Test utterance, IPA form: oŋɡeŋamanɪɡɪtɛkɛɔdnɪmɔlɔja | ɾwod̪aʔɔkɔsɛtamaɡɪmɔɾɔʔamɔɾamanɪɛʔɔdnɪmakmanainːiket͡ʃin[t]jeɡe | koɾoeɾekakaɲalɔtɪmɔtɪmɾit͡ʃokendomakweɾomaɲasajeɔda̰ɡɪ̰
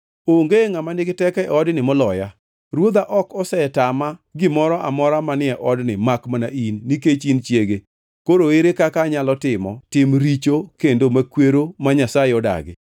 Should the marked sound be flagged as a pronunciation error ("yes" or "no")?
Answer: yes